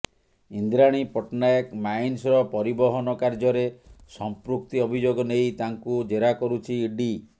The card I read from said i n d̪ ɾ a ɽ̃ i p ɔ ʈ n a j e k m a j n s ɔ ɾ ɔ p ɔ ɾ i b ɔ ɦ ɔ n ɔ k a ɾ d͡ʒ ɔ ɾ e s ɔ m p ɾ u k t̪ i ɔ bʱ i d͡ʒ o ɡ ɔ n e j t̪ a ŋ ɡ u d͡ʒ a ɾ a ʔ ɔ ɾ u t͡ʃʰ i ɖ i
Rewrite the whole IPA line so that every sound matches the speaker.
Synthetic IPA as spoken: i n d̪ ɾ a ɽ̃ i p ɔ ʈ n a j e k m a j n s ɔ ɾ ɔ p ɔ ɾ i b ɔ ɦ ɔ n ɔ k a ɾ d͡ʒ ɔ ɾ e s ɔ m p ɾ u k t̪ i ɔ bʱ i d͡ʒ o ɡ ɔ n e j t̪ a ŋ k u d͡ʒ e ɾ a k ɔ ɾ u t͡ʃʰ i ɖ i

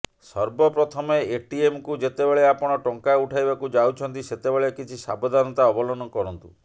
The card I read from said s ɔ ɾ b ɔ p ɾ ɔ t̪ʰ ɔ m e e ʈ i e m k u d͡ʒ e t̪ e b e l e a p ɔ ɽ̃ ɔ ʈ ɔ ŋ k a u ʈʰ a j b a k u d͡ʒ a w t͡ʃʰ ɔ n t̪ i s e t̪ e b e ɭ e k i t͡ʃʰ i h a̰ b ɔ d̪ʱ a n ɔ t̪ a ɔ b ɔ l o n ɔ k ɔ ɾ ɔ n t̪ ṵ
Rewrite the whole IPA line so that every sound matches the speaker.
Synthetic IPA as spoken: s ɔ ɾ b ɔ p ɾ ɔ t̪ʰ ɔ m e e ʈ i e m k u d͡ʒ e t̪ e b e ɭ e a p ɔ ɽ̃ ɔ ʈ ɔ ŋ k a u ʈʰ a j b a k u d͡ʒ a w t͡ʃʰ ɔ n t̪ i s e t̪ e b e ɭ e k i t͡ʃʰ i s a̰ b ɔ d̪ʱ a n ɔ t̪ a ɔ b ɔ l ɔ n ɔ k ɔ ɾ ɔ n t̪ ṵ

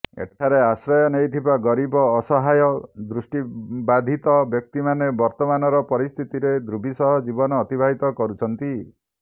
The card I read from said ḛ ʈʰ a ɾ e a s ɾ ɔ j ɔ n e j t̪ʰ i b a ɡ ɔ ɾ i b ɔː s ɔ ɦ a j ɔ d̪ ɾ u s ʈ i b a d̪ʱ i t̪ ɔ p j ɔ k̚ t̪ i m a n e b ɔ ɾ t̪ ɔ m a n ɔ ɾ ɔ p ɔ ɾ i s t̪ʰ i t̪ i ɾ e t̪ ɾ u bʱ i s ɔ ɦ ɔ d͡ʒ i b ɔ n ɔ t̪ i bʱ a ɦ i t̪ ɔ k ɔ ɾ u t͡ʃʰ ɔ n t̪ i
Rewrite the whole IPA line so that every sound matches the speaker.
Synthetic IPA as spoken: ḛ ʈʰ a ɾ e a s ɾ ɔ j ɔ n e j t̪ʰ i b a ɡ ɔ ɾ i b ɔː s ɔ ɦ a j ɔ d̪ ɾ u s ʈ i b a d̪ʱ i t̪ ɔ b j ɔ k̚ t̪ i m a n e b ɔ ɾ t̪ ɔ m a n ɔ ɾ ɔ p ɔ ɾ i s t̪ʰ i t̪ i ɾ e d̪ ɾ u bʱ i s ɔ ɦ ɔ d͡ʒ i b ɔ n ɔː t̪ i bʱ a ɦ i t̪ ɔ k ɔ ɾ u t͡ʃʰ ɔ n t̪ i

